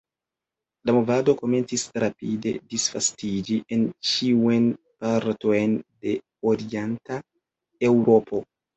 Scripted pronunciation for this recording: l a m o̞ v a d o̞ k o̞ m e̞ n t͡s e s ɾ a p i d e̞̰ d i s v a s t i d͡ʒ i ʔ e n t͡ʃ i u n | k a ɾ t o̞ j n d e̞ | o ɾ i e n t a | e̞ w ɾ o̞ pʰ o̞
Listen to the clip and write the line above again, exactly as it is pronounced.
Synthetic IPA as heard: l a m o̞ v a d o̞ k o̞ m e̞ n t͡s i s ɾ a p i d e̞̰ d i s f a s t i d͡ʒ i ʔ e n t͡ʃ i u n | p a ɾ t o̞ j n d e̞ | o ɾ i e n t a | e̞ w ɾ o̞ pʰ o̞

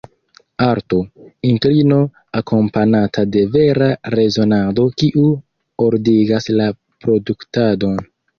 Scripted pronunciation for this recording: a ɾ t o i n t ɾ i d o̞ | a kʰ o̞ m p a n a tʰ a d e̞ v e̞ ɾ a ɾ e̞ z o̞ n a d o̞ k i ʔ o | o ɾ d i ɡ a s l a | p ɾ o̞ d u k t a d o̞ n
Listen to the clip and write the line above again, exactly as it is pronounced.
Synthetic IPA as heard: a ɾ t o i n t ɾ i n o̞ | a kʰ o̞ m p a n a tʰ a d e̞ v e̞ ɾ a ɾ e̞ z o̞ n a d o̞ k i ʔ u | o ɾ d i ɡ a s l a | p ɾ o̞ d u k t a d o̞ n

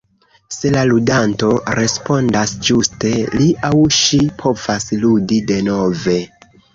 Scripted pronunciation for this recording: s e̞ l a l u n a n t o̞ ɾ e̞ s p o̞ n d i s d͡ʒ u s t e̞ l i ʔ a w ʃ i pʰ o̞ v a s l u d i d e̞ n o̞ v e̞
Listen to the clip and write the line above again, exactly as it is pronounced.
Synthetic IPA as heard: s e̞ l a l u d a n t o̞ ɾ e̞ s p o̞ n d a s d͡ʒ u s t e̞ l i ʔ a w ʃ i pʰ o̞ v a s l u d i d e̞ n o̞ v e̞

